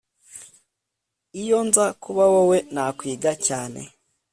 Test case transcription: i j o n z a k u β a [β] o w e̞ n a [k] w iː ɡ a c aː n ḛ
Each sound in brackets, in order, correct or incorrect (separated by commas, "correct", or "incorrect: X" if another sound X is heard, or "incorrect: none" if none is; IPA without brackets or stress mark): incorrect: w, correct